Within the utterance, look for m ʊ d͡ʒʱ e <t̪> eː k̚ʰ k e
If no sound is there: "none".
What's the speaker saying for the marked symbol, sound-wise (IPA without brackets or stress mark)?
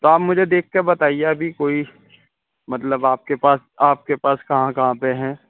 d̪